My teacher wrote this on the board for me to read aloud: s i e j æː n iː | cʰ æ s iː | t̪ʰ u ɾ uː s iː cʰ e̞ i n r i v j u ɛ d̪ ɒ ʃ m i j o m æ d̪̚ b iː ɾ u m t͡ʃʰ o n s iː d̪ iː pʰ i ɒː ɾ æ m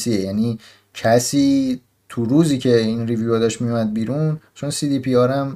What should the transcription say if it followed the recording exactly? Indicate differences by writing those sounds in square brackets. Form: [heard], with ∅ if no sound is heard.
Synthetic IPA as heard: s i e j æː n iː | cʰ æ s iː | t̪ʰ u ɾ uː [z] iː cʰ e̞ i n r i v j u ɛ d̪ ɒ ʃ m i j [u] m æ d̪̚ b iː ɾ u [n] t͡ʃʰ o n s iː d̪ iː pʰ i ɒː ɾ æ m